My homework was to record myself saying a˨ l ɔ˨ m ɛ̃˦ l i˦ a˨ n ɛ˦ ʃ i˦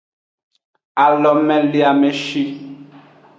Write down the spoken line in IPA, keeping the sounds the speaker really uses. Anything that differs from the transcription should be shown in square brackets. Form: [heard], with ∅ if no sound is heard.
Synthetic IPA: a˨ l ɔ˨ m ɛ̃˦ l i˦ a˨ [m] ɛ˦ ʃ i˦